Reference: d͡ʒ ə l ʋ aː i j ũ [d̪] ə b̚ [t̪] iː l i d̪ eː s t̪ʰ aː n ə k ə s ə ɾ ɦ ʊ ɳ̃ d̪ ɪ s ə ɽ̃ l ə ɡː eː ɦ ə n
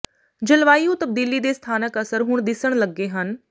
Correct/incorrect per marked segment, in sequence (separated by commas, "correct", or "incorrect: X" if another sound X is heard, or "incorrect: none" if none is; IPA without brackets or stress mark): incorrect: t̪, incorrect: d̪